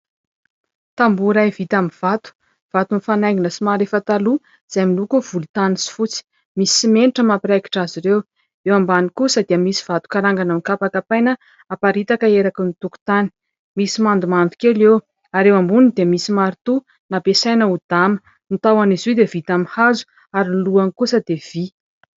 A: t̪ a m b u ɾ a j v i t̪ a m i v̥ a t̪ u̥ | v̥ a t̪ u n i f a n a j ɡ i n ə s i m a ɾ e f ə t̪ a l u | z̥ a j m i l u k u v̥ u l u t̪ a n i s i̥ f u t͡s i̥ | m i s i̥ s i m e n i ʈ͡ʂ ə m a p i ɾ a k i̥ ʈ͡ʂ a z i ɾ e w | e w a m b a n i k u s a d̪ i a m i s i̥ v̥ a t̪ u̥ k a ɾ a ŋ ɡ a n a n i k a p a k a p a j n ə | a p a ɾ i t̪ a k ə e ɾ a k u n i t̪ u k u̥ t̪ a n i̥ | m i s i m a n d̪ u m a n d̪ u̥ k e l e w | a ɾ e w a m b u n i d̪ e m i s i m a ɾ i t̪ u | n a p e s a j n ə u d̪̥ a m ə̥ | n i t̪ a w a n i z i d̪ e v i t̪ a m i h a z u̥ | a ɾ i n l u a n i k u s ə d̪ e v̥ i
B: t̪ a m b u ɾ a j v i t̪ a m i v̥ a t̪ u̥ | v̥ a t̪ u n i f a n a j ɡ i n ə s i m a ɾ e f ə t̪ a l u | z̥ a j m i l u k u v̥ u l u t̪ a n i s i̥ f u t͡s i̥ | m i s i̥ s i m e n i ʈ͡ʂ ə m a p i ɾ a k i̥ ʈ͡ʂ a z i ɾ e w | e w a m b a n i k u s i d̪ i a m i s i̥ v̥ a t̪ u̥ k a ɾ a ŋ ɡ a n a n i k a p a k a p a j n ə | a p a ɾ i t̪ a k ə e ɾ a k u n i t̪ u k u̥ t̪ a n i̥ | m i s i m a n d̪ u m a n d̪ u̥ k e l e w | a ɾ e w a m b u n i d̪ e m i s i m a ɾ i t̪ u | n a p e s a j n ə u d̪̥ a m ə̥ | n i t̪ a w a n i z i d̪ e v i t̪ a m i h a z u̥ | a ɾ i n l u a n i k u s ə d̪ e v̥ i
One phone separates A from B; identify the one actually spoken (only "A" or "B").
A